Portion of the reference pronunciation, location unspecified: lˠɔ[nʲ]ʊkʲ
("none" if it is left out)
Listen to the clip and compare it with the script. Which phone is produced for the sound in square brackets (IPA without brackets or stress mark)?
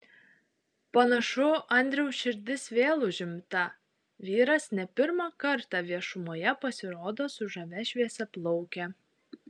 none